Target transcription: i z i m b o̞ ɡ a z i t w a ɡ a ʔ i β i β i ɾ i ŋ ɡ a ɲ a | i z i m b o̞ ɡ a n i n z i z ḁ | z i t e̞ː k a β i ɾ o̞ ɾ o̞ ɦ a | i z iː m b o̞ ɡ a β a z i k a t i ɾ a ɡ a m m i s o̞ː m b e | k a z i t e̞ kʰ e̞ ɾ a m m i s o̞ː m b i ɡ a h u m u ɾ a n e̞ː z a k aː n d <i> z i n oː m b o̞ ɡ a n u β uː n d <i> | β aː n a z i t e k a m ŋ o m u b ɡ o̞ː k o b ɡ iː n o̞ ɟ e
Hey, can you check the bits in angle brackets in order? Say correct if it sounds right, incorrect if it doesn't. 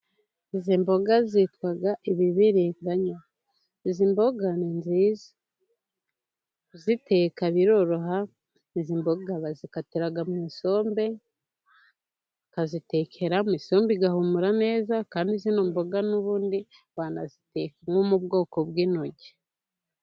correct, correct

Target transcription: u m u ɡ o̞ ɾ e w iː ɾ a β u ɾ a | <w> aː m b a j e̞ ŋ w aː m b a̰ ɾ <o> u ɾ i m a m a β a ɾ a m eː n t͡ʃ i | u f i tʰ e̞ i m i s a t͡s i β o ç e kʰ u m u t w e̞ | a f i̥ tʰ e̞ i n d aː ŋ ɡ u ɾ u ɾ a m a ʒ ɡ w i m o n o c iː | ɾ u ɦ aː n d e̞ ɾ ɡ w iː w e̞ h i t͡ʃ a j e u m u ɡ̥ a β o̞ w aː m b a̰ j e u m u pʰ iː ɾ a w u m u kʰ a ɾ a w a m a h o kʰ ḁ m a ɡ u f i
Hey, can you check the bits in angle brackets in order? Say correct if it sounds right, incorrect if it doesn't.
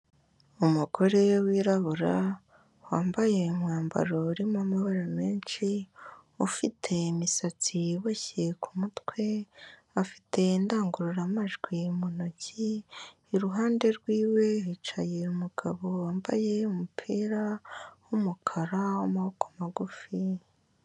correct, correct

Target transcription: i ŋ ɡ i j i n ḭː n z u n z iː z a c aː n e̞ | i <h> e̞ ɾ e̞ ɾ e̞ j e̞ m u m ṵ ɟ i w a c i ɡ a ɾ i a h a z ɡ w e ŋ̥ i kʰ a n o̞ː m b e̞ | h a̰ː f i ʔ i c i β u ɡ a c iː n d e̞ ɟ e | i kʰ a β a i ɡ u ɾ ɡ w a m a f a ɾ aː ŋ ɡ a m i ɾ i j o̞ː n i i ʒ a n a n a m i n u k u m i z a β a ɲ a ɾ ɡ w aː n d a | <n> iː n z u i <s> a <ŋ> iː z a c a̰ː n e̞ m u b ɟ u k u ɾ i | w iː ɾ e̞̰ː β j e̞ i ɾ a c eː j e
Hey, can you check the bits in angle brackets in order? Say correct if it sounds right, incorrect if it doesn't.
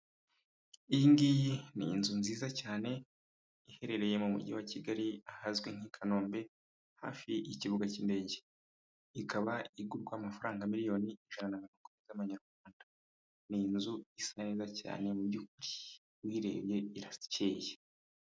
correct, correct, correct, incorrect

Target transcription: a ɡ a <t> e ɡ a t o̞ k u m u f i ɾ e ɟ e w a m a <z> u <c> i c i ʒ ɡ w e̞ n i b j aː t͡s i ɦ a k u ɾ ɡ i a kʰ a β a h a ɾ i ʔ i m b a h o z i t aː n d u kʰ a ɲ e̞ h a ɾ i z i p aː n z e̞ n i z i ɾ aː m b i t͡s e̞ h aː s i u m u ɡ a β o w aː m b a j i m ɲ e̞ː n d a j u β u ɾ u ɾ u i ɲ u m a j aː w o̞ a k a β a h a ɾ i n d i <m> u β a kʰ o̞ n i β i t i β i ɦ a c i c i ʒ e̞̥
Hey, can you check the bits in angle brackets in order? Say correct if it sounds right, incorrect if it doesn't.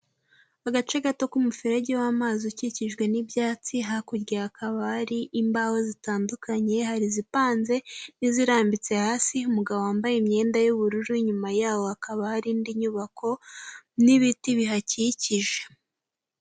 incorrect, correct, correct, incorrect

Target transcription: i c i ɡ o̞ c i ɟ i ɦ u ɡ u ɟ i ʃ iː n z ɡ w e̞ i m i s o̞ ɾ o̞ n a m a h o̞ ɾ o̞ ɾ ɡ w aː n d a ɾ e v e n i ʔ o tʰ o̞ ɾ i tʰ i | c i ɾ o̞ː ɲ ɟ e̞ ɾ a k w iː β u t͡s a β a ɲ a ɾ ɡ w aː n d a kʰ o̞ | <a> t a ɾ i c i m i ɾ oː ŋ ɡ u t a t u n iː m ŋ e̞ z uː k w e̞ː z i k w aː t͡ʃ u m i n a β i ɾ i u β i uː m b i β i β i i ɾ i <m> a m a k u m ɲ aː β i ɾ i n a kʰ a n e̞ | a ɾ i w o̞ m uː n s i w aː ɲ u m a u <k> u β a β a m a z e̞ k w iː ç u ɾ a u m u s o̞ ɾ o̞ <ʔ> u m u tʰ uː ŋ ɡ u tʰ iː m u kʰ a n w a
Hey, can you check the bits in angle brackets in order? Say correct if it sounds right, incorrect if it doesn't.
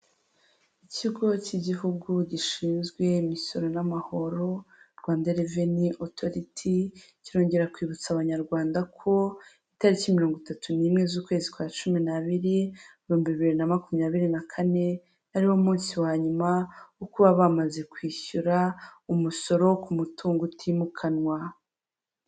incorrect, incorrect, correct, incorrect

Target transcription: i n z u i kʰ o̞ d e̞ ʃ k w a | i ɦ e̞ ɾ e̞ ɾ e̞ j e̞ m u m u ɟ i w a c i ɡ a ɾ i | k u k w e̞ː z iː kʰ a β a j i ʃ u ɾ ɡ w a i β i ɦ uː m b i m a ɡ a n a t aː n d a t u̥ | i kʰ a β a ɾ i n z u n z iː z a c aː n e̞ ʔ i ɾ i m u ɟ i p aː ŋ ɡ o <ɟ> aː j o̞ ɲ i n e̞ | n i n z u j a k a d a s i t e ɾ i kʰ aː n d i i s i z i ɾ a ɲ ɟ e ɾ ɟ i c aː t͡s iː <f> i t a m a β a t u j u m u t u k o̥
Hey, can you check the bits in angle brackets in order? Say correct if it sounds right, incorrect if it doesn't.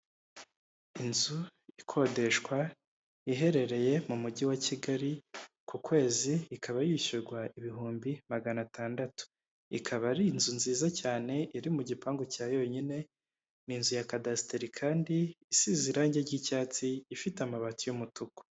incorrect, correct

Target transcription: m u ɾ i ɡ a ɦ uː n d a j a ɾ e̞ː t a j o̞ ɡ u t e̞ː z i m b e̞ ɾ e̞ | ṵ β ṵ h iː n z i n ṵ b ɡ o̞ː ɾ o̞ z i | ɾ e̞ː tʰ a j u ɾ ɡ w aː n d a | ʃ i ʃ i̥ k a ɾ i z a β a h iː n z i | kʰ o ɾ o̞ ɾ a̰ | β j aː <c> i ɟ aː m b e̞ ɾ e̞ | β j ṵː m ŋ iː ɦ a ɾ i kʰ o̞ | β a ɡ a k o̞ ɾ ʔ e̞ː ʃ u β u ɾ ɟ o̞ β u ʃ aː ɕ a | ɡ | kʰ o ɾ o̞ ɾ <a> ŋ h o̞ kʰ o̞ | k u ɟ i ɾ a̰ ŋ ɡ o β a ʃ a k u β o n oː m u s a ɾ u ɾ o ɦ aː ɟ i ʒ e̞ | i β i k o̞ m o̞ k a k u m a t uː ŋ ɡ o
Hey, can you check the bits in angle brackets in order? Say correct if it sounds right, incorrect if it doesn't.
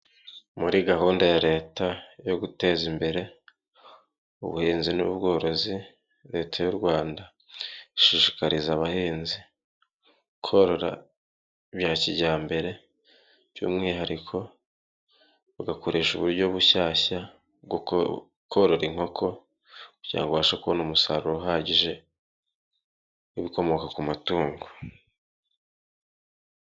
correct, incorrect

